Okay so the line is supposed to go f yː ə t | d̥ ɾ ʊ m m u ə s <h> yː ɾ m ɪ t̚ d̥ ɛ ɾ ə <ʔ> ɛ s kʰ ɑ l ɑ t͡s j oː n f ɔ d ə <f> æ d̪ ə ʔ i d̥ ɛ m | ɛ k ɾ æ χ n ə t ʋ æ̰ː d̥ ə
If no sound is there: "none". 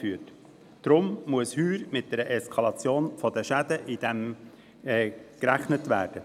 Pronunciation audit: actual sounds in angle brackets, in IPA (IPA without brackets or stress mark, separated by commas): h, ʔ, ʃ